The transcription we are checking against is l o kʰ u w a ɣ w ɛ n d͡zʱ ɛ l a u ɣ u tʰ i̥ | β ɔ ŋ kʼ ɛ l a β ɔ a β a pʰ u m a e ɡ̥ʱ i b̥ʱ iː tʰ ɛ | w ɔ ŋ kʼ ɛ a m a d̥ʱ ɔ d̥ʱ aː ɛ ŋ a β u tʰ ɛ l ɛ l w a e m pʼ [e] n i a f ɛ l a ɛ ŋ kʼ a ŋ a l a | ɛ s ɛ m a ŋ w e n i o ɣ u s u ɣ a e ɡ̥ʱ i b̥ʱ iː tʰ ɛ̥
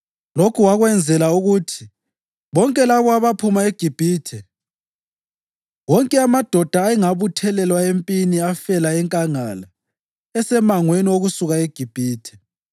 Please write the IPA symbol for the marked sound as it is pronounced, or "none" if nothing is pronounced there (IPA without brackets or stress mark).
i